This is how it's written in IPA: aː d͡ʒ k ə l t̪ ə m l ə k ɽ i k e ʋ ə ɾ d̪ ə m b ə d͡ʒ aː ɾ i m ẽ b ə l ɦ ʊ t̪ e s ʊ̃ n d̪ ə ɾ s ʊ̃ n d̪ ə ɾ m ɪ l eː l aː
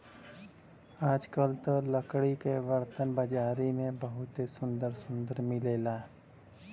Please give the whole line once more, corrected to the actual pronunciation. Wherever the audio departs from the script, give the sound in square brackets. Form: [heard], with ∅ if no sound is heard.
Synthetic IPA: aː d͡ʒ k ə l t̪ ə [∅] l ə k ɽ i k e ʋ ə ɾ [t̪] ə [n] b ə d͡ʒ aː ɾ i m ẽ b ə [∅] ɦ ʊ t̪ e s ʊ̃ n d̪ ə ɾ s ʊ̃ n d̪ ə ɾ m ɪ l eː l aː